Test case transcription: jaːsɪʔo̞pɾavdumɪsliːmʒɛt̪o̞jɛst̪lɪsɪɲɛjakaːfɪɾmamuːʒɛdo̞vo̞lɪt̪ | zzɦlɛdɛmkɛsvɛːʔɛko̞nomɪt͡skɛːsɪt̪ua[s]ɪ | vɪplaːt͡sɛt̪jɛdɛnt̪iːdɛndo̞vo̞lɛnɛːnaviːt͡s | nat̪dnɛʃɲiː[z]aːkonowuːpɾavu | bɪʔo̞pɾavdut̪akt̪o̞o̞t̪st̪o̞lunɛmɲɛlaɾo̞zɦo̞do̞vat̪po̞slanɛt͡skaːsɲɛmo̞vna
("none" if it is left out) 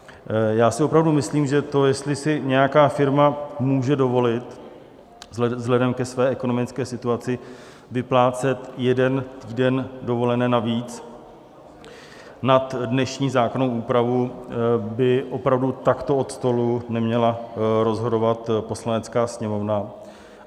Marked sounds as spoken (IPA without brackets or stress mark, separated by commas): t͡s, z